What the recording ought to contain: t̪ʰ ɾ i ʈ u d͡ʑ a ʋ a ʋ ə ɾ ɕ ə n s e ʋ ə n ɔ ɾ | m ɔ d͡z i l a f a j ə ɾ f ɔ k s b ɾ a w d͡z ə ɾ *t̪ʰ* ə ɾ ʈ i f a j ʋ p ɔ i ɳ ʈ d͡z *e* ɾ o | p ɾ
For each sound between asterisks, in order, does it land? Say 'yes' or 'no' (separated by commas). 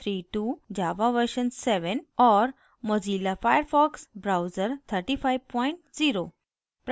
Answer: yes, no